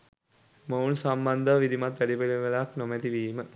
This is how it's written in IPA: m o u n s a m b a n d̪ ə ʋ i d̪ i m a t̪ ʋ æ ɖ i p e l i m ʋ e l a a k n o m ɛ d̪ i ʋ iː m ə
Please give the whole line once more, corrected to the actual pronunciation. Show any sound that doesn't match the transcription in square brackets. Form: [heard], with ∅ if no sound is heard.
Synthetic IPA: m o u n s a m b a n d̪ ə ʋ i d̪ i m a t̪ ʋ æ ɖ i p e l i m ʋ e l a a k n o m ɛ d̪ i ʋ iː m ə

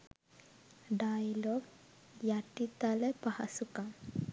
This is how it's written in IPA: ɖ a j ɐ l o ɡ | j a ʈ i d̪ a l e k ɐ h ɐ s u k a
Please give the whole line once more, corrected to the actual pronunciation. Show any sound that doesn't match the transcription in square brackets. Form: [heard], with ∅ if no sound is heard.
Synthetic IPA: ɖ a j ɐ l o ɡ | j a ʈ i [t̪] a l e [p] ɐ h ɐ s u k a

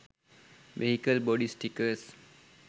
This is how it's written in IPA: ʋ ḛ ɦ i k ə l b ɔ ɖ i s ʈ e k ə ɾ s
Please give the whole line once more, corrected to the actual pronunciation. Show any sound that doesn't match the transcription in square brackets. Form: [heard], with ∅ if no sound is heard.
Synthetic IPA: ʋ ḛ ɦ i k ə l b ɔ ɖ i s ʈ [i] k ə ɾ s

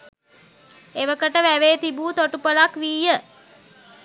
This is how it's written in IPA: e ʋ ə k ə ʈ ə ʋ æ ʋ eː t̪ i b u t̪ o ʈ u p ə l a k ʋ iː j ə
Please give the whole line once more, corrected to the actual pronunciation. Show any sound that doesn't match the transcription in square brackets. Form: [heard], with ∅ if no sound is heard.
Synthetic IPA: e ʋ ə k ə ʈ ə ʋ æ ʋ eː t̪ i b [uː] t̪ o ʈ u p ə l a k ʋ iː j ə

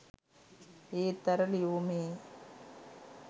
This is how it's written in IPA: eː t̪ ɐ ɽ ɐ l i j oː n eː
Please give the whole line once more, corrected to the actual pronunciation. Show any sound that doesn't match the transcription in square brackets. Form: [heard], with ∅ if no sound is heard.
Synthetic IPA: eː t̪ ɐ [ɾ] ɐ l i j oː [m] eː

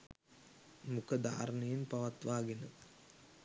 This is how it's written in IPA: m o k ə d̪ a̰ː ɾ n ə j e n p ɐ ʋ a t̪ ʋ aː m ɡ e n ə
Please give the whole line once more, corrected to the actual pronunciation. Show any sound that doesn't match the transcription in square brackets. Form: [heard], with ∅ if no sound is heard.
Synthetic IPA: m [u] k ə d̪ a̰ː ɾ n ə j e n p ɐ ʋ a t̪ ʋ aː [∅] ɡ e n ə

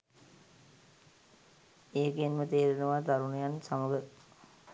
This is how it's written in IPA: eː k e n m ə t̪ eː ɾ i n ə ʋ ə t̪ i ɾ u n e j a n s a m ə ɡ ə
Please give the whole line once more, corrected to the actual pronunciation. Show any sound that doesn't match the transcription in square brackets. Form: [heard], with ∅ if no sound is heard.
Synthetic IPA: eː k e n m ə t̪ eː ɾ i n ə ʋ [a] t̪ [a] ɾ u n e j a n s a m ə ɡ ə

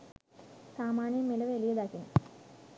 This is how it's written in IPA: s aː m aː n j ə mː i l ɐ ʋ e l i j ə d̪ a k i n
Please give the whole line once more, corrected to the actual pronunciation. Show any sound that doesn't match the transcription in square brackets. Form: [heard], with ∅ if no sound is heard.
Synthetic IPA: s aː m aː n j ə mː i l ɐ ʋ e l i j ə d̪ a k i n

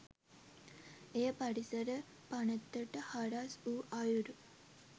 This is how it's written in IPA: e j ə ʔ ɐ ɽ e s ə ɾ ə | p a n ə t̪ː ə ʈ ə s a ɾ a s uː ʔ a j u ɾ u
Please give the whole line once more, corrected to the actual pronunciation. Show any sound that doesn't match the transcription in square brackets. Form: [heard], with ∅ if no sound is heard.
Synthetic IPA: e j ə [p] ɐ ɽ [i] s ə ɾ ə | p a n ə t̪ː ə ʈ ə [h] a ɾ a s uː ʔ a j u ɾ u

